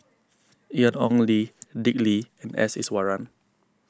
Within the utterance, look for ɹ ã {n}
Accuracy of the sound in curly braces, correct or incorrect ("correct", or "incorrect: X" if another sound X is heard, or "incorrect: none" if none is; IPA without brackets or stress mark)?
correct